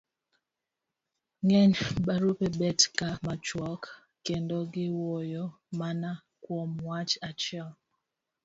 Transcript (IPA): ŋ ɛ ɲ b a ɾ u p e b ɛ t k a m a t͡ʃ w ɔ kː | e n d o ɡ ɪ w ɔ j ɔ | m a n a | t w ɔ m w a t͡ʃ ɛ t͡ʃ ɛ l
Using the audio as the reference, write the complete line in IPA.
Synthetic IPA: ŋ ɛ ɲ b a ɾ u p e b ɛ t k a m a t͡ʃ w ɔ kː | e n d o ɡ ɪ w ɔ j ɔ | m a n a | k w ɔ m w a t͡ʃ a t͡ʃ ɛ l

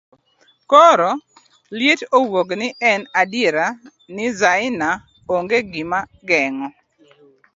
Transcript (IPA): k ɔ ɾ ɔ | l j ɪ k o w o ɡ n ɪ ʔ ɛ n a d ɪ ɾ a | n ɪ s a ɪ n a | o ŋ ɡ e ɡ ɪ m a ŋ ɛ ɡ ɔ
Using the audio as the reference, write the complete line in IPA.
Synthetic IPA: k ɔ ɾ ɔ | l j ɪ t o w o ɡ n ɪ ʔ ɛ n a d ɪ ɾ a | n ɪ z a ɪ n a | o ŋ ɡ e ɡ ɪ m a ɡ ɛ ŋ ɔ

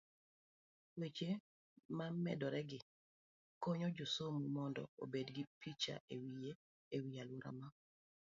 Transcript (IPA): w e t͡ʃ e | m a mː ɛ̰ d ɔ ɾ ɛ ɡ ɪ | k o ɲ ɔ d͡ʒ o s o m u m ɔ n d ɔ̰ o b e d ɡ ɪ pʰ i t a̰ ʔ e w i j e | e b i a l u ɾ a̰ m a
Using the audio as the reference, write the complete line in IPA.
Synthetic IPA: w e t͡ʃ e | m a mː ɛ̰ d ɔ ɾ ɛ ɡ ɪ | k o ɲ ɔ d͡ʒ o s o m u m ɔ n d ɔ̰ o b e d ɡ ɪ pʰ i t͡ʃ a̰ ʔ e w i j e | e w i a l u ɾ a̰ m a

